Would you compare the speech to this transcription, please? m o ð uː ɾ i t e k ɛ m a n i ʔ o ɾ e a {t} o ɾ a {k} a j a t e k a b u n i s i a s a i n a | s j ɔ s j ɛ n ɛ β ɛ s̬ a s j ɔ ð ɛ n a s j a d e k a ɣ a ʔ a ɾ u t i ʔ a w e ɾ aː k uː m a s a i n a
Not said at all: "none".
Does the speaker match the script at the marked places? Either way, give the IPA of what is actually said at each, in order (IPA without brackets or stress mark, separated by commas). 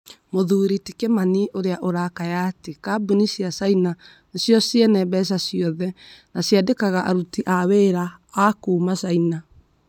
ʔ, k